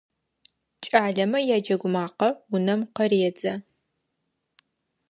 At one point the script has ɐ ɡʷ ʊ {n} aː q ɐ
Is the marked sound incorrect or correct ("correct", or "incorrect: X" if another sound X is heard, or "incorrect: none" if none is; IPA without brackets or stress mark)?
incorrect: m